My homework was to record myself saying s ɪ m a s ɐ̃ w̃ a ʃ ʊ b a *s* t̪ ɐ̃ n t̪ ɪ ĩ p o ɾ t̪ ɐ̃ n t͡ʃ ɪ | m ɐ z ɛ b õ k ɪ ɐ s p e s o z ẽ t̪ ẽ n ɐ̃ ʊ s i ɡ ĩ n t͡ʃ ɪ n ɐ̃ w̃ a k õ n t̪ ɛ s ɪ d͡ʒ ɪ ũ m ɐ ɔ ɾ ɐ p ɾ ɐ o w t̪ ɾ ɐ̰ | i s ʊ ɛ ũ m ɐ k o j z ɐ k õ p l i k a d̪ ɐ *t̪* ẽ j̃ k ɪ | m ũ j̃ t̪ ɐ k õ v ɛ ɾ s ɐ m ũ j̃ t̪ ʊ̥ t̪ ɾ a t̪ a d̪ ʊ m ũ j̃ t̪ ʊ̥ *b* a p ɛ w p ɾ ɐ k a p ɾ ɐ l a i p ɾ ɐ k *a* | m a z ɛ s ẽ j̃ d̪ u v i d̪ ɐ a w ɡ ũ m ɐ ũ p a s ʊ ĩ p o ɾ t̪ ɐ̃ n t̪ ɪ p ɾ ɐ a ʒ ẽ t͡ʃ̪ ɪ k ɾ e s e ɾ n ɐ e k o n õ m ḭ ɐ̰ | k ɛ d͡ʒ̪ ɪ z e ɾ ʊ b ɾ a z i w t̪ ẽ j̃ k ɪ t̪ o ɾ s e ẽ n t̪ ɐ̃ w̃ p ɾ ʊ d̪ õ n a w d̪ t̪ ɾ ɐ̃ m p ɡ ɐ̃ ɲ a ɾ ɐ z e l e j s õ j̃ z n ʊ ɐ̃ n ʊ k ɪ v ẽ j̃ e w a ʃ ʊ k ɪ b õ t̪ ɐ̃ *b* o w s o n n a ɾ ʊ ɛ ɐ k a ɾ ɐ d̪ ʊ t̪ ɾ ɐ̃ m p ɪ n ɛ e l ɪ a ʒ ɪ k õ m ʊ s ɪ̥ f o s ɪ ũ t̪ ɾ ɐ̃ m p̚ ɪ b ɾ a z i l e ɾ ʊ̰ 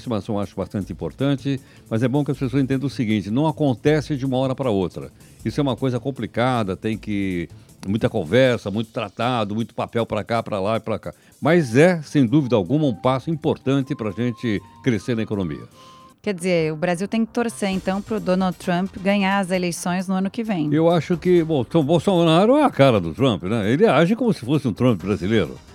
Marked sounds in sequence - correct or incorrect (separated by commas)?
correct, correct, incorrect, correct, correct